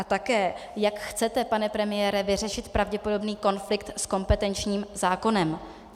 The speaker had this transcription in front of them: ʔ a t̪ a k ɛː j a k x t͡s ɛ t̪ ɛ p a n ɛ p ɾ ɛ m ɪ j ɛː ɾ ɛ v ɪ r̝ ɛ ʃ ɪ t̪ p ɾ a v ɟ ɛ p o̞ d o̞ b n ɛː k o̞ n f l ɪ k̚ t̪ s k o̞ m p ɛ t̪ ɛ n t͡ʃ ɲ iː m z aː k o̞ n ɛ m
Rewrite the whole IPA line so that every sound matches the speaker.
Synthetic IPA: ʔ a t̪ a k ɛː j a k x t͡s ɛ t̪ ɛ p a n ɛ p ɾ ɛ m ɪ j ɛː ɾ ɛ v ɪ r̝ ɛ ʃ ɪ t̪ p ɾ a v ɟ ɛ p o̞ d o̞ b n iː k o̞ n f l ɪ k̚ t̪ s k o̞ m p ɛ t̪ ɛ n t͡ʃ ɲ iː m z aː k o̞ n ɛ m